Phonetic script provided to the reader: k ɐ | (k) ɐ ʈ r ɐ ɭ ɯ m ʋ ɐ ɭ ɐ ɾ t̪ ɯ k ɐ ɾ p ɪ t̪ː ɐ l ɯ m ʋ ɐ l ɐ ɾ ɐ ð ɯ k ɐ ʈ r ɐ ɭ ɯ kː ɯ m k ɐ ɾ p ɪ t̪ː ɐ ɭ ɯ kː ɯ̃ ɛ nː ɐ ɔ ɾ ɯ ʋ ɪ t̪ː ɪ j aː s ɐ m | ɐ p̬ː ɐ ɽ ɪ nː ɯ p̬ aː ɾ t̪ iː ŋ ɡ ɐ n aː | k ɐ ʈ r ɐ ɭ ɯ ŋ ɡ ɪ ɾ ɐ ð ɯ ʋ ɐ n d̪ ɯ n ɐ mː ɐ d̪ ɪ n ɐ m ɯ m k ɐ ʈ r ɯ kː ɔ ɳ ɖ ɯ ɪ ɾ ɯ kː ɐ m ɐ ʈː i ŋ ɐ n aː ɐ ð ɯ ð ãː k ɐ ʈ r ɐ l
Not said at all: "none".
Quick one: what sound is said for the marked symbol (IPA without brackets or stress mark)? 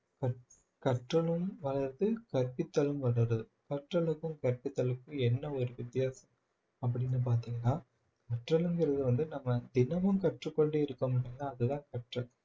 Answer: k